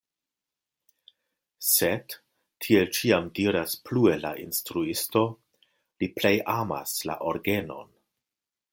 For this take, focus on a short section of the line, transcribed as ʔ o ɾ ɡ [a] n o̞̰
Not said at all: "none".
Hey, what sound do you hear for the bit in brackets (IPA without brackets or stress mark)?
e